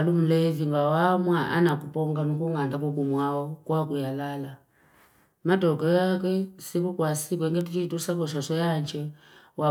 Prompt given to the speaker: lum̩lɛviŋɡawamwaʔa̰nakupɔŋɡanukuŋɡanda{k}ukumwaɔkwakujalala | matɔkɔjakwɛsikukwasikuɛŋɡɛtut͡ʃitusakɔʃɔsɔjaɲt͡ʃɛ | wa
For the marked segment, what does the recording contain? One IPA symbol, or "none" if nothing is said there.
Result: k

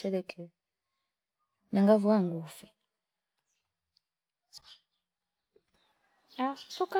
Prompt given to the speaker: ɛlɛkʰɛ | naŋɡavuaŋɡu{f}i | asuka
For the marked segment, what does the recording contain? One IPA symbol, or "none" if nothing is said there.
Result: f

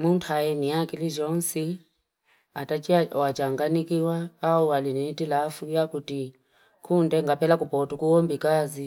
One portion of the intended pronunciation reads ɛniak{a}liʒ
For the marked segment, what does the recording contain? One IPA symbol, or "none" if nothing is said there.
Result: i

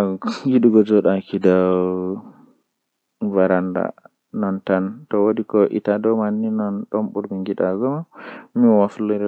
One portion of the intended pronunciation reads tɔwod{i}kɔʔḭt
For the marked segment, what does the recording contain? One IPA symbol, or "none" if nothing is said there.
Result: i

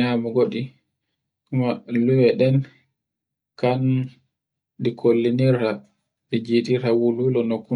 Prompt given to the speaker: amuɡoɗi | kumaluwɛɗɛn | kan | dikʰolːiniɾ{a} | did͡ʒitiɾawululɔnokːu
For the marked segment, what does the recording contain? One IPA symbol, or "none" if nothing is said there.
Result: a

